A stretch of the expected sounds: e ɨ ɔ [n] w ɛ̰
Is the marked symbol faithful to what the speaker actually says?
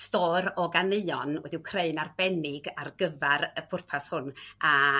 yes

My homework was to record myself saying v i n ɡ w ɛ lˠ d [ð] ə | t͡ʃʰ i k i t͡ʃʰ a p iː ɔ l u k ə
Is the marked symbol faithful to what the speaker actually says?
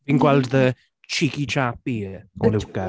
yes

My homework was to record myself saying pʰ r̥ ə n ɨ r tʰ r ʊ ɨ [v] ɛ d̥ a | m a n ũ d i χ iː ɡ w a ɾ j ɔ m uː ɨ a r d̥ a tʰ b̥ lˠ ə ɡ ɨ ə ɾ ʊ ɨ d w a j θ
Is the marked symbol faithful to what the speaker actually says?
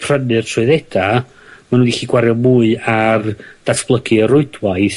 no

